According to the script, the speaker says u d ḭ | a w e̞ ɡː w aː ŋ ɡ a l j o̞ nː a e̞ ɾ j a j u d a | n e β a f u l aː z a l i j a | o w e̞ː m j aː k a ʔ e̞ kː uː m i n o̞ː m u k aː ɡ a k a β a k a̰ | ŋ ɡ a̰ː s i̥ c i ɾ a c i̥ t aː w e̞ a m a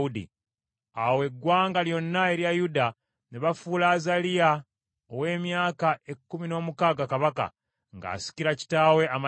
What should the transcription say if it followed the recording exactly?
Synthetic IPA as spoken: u d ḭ | a w e̞ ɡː w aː ŋ ɡ a l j o̞ nː a e̞ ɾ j a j u d a | n e β a f u l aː z a l i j a | o w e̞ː m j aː k a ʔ e̞ kː u m i n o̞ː m u k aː ɡ a k a β a k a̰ | ŋ ɡ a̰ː s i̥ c i ɾ a c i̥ t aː w e̞ a m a